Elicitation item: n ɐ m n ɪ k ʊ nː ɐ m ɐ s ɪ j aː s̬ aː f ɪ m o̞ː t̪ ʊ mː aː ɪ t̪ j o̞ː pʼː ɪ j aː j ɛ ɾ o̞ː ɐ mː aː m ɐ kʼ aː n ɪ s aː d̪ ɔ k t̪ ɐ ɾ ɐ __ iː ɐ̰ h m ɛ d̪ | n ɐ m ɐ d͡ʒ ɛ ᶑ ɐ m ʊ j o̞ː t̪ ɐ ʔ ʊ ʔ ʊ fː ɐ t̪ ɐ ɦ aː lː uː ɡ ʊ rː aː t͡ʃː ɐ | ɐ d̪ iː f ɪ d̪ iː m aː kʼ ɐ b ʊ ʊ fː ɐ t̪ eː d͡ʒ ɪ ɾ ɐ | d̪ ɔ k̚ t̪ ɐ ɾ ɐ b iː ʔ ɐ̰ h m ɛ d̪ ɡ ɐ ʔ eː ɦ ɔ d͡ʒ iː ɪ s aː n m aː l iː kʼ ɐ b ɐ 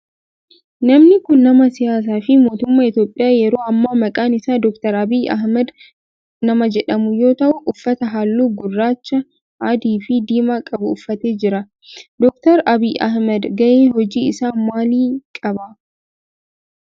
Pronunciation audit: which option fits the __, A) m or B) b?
B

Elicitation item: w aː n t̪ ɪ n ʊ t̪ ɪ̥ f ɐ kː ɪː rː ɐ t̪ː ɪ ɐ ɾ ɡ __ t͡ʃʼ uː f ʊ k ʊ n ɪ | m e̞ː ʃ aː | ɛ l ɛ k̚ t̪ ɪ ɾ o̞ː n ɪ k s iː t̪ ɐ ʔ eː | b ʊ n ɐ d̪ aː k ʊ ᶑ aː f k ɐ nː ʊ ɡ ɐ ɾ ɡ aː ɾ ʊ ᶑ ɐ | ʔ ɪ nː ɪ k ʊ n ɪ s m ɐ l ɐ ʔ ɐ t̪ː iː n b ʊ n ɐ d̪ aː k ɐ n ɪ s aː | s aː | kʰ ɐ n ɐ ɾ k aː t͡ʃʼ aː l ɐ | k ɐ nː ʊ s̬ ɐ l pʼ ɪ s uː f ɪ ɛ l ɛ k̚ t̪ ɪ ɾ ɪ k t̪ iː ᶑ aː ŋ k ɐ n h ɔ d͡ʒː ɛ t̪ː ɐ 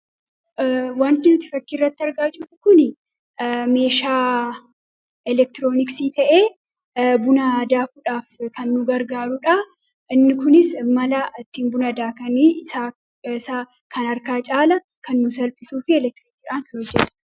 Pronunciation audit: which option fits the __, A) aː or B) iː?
A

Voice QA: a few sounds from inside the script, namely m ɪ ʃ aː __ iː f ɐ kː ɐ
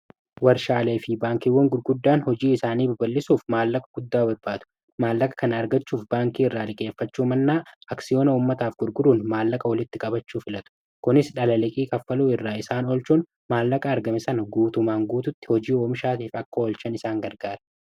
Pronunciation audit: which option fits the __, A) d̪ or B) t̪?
B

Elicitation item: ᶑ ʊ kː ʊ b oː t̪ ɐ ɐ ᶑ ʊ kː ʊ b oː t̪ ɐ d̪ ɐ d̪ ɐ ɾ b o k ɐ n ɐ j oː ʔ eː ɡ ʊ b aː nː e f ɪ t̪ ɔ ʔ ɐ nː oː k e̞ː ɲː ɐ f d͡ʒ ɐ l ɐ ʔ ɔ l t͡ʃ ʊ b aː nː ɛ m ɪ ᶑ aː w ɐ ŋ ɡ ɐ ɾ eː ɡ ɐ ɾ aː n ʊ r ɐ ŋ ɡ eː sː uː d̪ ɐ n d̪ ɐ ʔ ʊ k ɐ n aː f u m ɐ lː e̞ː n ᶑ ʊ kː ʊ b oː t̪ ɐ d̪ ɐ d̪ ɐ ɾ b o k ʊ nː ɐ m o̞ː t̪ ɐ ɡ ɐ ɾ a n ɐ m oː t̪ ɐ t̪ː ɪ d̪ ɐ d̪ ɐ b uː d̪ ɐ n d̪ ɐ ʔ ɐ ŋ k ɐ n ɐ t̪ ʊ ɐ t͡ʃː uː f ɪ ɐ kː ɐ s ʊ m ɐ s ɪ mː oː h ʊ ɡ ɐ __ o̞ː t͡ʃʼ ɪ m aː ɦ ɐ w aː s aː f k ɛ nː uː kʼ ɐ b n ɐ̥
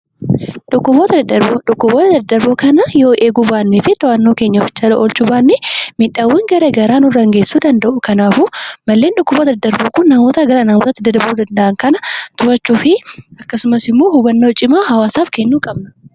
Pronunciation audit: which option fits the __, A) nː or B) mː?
A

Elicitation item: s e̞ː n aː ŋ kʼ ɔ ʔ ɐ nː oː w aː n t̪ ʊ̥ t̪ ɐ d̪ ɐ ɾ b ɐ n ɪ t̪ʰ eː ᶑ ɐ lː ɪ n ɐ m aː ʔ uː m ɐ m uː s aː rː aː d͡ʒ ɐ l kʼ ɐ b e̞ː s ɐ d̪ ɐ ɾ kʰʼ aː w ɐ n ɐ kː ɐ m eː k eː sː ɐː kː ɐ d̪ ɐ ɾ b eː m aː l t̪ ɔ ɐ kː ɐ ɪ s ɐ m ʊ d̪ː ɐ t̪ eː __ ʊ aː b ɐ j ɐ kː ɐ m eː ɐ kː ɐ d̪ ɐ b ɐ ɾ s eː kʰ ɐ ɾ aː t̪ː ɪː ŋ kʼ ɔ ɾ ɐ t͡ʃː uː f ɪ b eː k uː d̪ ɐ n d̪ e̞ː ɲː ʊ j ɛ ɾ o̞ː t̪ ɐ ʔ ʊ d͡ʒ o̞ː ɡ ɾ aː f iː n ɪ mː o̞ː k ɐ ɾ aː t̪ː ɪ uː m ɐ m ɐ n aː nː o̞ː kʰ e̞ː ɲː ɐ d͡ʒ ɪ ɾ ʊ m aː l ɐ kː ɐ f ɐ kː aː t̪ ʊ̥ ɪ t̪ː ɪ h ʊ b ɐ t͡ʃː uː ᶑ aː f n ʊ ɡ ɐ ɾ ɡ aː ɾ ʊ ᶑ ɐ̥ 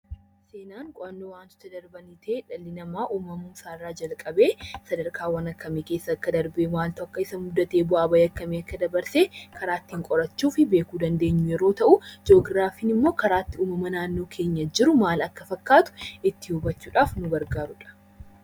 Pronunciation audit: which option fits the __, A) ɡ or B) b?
B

